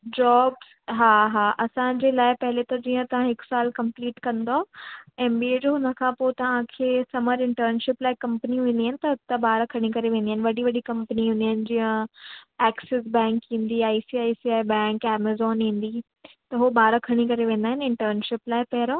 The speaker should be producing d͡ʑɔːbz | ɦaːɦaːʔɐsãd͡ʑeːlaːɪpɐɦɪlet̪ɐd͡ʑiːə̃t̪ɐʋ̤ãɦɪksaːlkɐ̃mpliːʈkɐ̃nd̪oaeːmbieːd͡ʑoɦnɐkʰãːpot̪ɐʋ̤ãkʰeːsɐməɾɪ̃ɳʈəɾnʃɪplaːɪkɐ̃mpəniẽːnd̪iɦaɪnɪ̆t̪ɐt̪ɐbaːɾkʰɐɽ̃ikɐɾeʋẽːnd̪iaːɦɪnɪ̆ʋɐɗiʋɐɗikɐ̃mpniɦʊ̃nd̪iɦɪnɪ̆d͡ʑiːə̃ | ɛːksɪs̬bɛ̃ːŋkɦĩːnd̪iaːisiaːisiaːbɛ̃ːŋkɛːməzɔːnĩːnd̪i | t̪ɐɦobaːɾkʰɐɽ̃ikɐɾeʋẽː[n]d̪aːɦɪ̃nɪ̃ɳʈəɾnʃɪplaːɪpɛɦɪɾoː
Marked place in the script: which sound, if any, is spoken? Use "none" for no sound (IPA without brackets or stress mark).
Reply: n